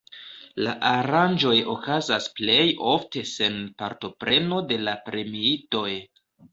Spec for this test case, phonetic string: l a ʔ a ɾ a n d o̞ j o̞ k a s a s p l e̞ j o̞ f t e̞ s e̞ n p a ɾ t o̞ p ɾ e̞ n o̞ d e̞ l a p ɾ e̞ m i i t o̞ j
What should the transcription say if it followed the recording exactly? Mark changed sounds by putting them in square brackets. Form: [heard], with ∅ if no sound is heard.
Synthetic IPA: l a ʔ a ɾ a n [d͡ʒ] o̞ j o̞ k a [z] a s p l e̞ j o̞ f t e̞ s e̞ n p a ɾ t o̞ p ɾ e̞ n o̞ d e̞ l a p ɾ e̞ m i i t o̞ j

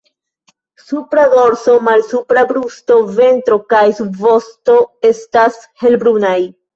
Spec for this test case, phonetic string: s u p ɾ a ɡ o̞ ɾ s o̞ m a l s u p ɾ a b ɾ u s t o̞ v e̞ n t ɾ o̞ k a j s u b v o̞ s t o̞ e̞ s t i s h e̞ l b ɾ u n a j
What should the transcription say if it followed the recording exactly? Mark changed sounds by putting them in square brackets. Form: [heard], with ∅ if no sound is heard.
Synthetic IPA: s u p ɾ a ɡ o̞ ɾ s o̞ m a l s u p ɾ a b ɾ u s t o̞ v e̞ n t ɾ o̞ k a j s u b v o̞ s t o̞ e̞ s t [a] s h e̞ l b ɾ u n a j

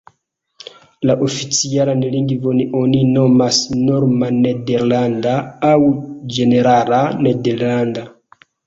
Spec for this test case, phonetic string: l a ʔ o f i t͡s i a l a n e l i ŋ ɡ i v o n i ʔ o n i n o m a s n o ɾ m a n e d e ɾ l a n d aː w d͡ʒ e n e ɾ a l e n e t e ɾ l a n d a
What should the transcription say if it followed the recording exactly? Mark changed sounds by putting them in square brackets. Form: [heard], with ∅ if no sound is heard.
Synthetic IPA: l a ʔ o f i t͡s i a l a n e l i ŋ ɡ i v o n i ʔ o n i n o m a s n o ɾ m a n e d e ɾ l a n d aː w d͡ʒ e n e ɾ a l [a] n e [d] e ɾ l a n d a

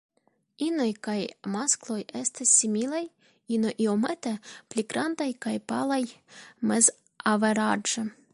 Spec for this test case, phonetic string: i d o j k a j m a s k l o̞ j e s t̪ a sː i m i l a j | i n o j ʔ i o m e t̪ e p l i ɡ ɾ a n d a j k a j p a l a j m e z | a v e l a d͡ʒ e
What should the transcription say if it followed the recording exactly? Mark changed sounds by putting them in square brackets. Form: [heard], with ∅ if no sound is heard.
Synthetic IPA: i [n] o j k a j m a s k l o̞ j e s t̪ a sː i m i l a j | i n o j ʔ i o m e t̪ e p l i ɡ ɾ a n d a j k a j p a l a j m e z | a v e [ɾ] a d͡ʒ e

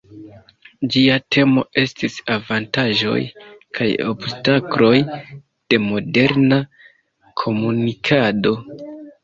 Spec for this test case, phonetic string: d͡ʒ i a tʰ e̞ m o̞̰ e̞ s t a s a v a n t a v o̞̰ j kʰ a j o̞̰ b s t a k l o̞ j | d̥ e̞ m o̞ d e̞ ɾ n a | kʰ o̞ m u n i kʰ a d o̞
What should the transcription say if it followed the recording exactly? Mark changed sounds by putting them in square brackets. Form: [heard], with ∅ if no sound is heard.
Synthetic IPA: d͡ʒ i a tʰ e̞ m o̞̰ e̞ s t [i] s a v a n t a [ʒ] o̞̰ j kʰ a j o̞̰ b s t a k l o̞ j | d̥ e̞ m o̞ d e̞ ɾ n a | kʰ o̞ m u n i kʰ a d o̞

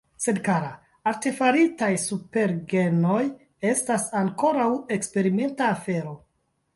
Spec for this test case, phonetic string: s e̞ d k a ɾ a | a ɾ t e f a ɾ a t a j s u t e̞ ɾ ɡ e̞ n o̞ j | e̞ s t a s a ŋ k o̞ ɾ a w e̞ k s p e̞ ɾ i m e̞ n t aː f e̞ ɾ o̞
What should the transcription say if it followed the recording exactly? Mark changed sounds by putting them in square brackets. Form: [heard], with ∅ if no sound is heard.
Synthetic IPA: s e̞ d k a ɾ a | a ɾ t e f a ɾ [i] t a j s u [p] e̞ ɾ ɡ e̞ n o̞ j | e̞ s t a s a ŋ k o̞ ɾ a w e̞ k s p e̞ ɾ i m e̞ n t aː f e̞ ɾ o̞

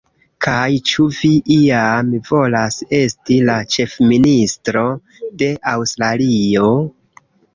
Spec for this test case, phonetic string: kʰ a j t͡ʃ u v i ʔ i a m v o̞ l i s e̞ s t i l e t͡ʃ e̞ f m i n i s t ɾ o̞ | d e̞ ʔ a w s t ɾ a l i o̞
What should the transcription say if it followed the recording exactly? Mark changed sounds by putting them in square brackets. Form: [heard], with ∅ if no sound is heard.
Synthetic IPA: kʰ a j t͡ʃ u v i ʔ i a m v o̞ l [a] s e̞ s t i l [a] t͡ʃ e̞ f m i n i s t ɾ o̞ | d e̞ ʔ a w s t ɾ a l i o̞

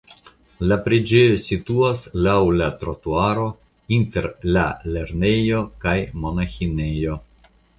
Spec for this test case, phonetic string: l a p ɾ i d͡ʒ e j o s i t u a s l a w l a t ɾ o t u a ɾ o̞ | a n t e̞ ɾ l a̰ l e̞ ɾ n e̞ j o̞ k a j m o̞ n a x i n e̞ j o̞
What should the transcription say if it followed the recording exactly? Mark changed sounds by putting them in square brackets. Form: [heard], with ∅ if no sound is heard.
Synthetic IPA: l a p ɾ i d͡ʒ e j o s i t u a s l a w l a t ɾ o t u a ɾ o̞ | [i] n t e̞ ɾ l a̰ l e̞ ɾ n e̞ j o̞ k a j m o̞ n a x i n e̞ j o̞

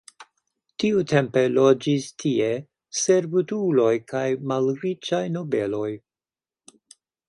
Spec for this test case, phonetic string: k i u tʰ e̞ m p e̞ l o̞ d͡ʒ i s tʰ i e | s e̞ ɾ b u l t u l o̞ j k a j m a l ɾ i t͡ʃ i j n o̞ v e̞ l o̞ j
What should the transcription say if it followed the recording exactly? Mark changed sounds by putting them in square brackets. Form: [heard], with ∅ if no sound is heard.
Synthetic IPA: [t] i u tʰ e̞ m p e̞ l o̞ d͡ʒ i s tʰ i e | s e̞ ɾ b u [∅] t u l o̞ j k a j m a l ɾ i t͡ʃ [a] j n o̞ [b] e̞ l o̞ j

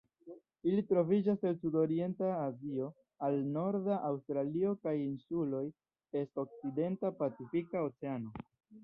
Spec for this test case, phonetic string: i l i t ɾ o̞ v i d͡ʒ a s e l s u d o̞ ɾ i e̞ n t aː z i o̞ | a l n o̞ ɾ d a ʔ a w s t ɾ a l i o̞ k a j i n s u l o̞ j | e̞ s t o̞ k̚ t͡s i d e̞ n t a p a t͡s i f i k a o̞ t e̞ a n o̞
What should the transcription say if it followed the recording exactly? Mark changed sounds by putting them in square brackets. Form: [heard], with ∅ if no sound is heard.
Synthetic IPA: i l i t ɾ o̞ v i d͡ʒ a s e l s u d o̞ ɾ i e̞ n t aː z i o̞ | a l n o̞ ɾ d a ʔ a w s t ɾ a l i o̞ k a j i n s u l o̞ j | e̞ s t o̞ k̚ t͡s i d e̞ n t a p a t͡s i f i k a o̞ [t͡s] e̞ a n o̞

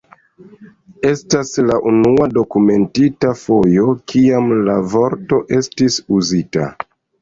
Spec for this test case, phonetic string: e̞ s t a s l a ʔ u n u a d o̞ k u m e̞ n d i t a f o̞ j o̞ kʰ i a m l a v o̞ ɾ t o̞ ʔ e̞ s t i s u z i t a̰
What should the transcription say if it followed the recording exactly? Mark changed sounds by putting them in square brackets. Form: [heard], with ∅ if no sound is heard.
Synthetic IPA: e̞ s t a s l a ʔ u n u a d o̞ k u m e̞ n [t] i t a f o̞ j o̞ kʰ i a m l a v o̞ ɾ t o̞ ʔ e̞ s t i s u z i t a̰

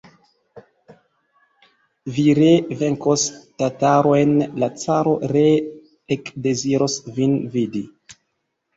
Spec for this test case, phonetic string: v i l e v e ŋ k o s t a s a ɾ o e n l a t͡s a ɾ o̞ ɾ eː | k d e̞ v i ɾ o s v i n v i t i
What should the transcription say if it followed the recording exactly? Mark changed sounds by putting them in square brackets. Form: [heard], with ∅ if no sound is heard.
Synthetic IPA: v i [ɾ] e v e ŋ k o s t a [t] a ɾ o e n l a t͡s a ɾ o̞ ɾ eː | k d e̞ [z] i ɾ o s v i n v i [d] i

